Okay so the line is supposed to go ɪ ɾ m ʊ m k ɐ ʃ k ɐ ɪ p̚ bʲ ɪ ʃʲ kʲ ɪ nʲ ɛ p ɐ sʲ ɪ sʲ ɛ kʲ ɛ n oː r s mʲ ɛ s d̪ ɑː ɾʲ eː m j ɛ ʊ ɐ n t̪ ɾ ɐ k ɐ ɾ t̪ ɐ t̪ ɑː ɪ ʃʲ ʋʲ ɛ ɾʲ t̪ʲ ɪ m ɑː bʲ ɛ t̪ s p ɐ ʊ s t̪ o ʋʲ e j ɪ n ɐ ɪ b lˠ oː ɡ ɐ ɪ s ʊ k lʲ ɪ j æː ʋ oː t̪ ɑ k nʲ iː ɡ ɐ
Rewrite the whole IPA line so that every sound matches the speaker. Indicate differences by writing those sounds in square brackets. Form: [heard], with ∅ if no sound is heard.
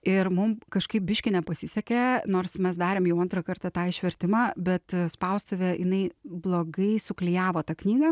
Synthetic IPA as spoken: ɪ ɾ m ʊ m k ɐ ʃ k ɐ ɪ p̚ bʲ ɪ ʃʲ kʲ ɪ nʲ ɛ p ɐ sʲ ɪ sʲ ɛ kʲ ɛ n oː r s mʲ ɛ s d̪ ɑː ɾʲ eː m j ɛ ʊ ɐ n t̪ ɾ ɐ k ɐ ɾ t̪ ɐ t̪ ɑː ɪ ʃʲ ʋʲ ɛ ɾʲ t̪ʲ ɪ m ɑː bʲ ɛ t̪ s p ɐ ʊ s t̪ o ʋʲ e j ɪ n ɐ ɪ b lˠ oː ɡ ɐ ɪ s ʊ k lʲ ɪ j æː ʋ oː t̪ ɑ k nʲ iː ɡ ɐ